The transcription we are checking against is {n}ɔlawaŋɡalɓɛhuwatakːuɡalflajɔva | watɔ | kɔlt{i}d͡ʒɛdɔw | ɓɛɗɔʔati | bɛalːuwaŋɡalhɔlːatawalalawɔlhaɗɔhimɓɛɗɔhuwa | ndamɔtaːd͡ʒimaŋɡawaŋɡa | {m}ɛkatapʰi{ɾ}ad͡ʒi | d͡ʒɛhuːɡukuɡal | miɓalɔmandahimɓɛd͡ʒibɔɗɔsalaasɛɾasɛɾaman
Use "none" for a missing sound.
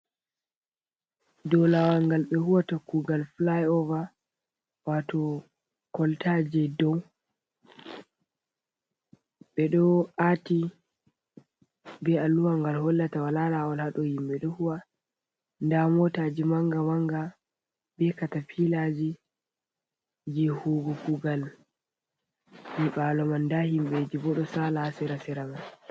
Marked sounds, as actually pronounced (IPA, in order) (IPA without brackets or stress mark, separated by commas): d, a, b, l